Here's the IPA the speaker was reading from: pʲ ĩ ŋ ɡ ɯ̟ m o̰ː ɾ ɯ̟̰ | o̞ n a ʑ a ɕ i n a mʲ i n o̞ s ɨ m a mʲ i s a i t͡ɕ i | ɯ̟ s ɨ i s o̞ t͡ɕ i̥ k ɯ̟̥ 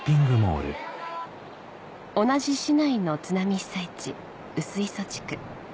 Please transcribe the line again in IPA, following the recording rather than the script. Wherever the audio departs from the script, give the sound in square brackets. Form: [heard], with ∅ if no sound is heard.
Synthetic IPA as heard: pʲ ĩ ŋ ɡ ɯ̟ m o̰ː ɾ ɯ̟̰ | o̞ n a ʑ [i] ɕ i n a [∅] i n o̞ [t͡s] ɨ [n] a mʲ i s a i t͡ɕ i | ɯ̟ s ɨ i s o̞ t͡ɕ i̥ k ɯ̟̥

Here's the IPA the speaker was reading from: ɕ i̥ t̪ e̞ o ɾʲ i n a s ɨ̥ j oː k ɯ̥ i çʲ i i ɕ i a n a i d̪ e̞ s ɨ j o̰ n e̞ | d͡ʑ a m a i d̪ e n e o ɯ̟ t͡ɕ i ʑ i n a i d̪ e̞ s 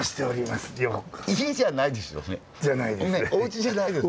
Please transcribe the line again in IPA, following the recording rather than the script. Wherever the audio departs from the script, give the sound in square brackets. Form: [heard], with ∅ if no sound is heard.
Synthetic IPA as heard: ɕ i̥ t̪ e̞ o ɾʲ i [m] a s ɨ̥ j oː k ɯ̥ i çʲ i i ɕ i a n a i d̪ e̞ s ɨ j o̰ n e̞ | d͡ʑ a [n] a i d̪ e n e o ɯ̟ t͡ɕ i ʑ [a] n a i d̪ e̞ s

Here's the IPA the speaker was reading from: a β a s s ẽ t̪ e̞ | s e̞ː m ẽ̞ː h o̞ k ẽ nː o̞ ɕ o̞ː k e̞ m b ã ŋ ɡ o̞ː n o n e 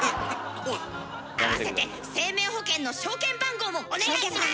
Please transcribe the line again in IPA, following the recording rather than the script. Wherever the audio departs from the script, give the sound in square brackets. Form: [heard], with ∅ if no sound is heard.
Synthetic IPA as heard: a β a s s [e] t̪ e̞ | s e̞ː m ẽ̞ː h o̞ k ẽ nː o̞ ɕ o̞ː k [ẽ̞] m b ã ŋ ɡ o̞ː [m] o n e

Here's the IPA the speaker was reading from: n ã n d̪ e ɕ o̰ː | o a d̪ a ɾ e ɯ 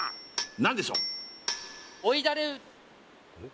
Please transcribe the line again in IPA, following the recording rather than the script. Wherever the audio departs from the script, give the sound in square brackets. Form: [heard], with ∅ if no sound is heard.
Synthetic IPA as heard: n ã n d̪ e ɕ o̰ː | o [i] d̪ a ɾ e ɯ

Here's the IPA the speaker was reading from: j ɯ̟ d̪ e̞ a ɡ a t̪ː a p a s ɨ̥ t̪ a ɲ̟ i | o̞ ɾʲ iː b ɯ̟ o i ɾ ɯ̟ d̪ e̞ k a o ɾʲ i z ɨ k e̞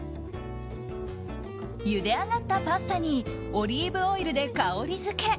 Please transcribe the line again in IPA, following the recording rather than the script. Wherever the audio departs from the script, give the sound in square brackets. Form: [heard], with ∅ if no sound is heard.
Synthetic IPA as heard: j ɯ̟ d̪ e̞ a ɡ a t̪ː a p a s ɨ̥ t̪ a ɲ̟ i | o̞ ɾʲ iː b ɯ̟ o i ɾ ɯ̟ d̪ e̞ k a o ɾʲ i z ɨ k e̞

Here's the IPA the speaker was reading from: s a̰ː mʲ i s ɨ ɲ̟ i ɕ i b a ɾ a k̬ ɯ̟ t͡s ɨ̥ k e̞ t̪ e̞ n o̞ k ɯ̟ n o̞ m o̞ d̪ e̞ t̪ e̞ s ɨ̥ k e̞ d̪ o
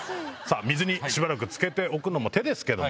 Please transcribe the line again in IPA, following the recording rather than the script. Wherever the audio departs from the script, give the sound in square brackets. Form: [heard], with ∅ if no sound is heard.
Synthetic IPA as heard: s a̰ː mʲ i [z] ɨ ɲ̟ i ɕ i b a ɾ a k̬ ɯ̟ t͡s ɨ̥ k e̞ t̪ e̞ [∅] o̞ k ɯ̟ n o̞ m o̞ [t̪] e̞ [d̪] e̞ s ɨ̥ k e̞ d̪ o

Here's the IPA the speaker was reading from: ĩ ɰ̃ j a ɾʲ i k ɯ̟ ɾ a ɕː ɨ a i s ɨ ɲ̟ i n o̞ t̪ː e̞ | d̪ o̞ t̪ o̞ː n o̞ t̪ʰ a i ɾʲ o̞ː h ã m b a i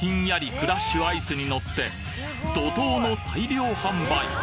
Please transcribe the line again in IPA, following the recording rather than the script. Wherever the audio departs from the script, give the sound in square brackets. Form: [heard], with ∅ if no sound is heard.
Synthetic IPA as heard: ĩ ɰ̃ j a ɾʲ i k ɯ̟ ɾ a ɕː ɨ a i s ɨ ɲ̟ i n o̞ t̪ː e̞ | d̪ o̞ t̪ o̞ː n o̞ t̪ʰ a i ɾʲ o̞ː h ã m b a i

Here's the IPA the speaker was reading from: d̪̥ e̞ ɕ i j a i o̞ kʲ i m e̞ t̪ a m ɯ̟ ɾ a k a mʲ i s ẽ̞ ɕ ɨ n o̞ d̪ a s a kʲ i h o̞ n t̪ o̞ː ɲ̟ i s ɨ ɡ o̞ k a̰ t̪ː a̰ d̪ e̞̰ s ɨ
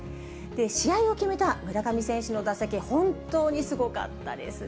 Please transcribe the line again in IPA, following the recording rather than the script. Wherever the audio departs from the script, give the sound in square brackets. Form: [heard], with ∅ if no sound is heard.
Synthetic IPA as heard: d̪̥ e̞ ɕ i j a i o̞ kʲ i m e̞ t̪ a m ɯ̟ ɾ a k a mʲ i s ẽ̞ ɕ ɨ n o̞ d̪ a s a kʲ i h [õ̞] n t̪ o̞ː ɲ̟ i s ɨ ɡ o̞ k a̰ t̪ː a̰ d̪ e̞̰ s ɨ

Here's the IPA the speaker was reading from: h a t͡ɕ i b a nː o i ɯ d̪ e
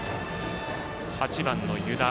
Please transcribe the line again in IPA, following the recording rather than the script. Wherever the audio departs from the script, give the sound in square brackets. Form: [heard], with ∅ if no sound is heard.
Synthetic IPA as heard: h a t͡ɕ i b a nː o [j] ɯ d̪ [a]

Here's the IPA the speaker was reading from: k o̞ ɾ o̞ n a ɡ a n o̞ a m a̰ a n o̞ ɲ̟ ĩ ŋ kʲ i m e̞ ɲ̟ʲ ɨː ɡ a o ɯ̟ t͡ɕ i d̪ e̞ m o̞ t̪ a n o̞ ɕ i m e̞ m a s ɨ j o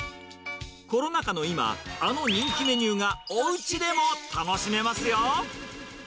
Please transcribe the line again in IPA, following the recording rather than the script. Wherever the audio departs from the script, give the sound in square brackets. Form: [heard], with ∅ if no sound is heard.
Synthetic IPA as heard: k o̞ ɾ o̞ n a [k] a n o̞ [i] m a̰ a n o̞ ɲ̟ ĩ ŋ kʲ i m e̞ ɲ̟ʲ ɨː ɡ a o ɯ̟ t͡ɕ i d̪ e̞ m o̞ t̪ a n o̞ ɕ i m e̞ m a s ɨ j o

